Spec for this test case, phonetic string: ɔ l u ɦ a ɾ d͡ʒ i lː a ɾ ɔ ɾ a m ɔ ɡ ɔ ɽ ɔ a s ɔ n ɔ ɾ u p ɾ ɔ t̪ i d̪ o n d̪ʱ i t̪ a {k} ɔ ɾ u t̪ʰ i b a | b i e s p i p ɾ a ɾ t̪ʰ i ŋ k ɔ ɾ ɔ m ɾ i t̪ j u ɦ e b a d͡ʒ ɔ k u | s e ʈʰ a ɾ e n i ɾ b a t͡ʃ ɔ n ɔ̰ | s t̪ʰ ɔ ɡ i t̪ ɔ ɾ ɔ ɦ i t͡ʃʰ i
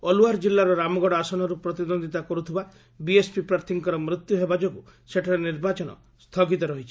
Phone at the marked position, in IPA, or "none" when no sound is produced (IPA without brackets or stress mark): k